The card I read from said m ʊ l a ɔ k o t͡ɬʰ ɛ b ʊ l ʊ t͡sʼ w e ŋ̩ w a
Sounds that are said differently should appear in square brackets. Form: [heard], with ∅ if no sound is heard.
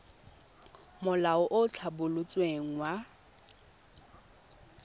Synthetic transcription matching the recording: m ʊ l a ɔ [ʔ] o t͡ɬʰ [a] b ʊ l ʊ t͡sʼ w e ŋ̩ w a

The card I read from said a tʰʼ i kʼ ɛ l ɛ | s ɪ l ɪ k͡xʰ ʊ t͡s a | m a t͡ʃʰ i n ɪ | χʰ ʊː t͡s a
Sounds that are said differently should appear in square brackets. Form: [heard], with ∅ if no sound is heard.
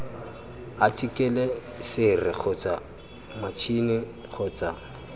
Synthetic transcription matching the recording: a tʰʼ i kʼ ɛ l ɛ | s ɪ [r] ɪ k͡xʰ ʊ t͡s a | m a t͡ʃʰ i n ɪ | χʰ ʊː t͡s a

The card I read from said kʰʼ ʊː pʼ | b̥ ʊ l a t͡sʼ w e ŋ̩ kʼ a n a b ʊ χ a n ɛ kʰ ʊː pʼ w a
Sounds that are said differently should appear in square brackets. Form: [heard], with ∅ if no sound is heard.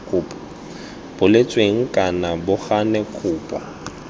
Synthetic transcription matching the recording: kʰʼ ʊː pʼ | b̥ ʊ l [e] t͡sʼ w e ŋ̩ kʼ a n a b ʊ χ a n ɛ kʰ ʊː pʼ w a

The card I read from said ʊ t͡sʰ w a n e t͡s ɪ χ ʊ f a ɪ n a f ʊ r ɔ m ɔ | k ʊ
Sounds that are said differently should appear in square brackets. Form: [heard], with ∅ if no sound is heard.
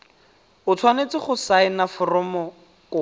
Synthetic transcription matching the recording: ʊ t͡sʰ w a n e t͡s ɪ χ ʊ [s] a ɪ n a f ʊ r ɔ m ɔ | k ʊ

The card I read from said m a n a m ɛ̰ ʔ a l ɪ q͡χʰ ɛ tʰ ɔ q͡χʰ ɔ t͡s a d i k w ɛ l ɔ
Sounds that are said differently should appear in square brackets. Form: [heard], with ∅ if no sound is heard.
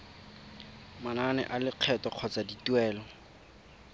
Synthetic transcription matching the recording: m a n a [n] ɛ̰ ʔ a l ɪ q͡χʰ ɛ [t] ɔ q͡χʰ ɔ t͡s a d i [t] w [ɛː] l ɔ

